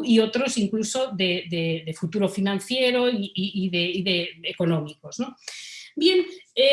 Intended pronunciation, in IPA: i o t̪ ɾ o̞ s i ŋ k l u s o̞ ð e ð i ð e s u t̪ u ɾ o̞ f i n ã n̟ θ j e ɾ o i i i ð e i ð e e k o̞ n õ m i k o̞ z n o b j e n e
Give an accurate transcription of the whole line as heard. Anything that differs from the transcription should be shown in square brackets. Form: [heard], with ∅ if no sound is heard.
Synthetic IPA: i o t̪ ɾ o̞ s i ŋ k l u s o̞ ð e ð [e] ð e [f] u t̪ u ɾ o̞ f i n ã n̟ θ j e ɾ o i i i ð e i ð e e k o̞ n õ m i k o̞ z n o b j e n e